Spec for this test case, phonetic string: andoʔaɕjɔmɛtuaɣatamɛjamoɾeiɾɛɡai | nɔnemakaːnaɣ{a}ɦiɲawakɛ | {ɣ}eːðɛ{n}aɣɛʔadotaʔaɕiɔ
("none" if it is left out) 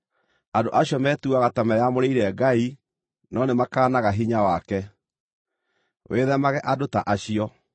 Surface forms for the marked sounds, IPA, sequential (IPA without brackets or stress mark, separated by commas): a, w, m